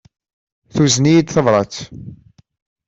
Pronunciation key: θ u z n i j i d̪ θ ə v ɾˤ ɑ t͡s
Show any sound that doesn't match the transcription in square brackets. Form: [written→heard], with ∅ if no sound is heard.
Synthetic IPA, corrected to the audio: θ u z n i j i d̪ θ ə v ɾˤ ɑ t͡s